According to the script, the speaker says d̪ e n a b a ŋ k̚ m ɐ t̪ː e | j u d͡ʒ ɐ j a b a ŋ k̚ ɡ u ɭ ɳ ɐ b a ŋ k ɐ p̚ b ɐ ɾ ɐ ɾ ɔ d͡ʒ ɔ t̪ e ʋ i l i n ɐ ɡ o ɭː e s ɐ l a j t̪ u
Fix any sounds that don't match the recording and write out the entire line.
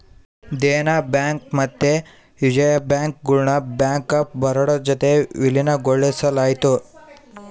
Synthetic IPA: d̪ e n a b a ŋ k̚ m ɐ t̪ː e | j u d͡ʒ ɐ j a b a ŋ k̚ ɡ u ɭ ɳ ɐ b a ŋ k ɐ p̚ b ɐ ɾ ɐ ɽ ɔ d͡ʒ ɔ t̪ e ʋ i l i n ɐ ɡ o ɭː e s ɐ l a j t̪ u

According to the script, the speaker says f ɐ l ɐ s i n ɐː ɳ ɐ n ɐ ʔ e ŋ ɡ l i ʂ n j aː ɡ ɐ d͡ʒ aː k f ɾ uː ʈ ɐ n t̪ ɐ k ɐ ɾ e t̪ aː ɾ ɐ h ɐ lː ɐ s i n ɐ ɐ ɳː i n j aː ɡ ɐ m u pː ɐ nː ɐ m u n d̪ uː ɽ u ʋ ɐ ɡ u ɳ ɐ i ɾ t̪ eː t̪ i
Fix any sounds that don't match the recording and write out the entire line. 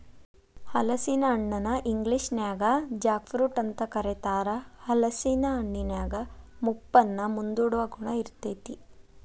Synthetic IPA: h ɐ l ɐ s i n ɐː ɳː ɐ n ɐ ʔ i ŋ ɡ l i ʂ n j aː ɡ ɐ d͡ʒ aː k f ɾ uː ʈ ɐ n t̪ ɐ k ɐ ɾ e t̪ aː ɾ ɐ h ɐ l ɐ s i n ɐ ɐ ɳː i n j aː ɡ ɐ m u pː ɐ nː ɐ m u n d̪ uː ɽ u ʋ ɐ ɡ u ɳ ɐ i ɾ t̪ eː t̪ i

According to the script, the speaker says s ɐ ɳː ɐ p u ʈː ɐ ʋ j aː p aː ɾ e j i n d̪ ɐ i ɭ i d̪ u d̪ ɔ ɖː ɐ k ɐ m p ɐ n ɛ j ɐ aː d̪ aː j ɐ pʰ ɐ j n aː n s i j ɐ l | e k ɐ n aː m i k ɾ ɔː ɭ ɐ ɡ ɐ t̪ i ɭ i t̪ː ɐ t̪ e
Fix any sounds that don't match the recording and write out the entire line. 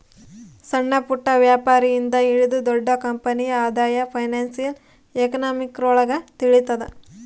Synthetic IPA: s ɐ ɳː ɐ p u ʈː ɐ ʋ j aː p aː ɾ i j i n d̪ ɐ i ɭ i d̪ u d̪ ɔ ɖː ɐ k ɐ m p ɐ n i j ɐ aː d̪ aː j ɐ pʰ ɐ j n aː n s i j ɐ l | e k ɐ n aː m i k ɾ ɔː ɭ ɐ ɡ ɐ t̪ i ɭ i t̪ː ɐ d̪ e

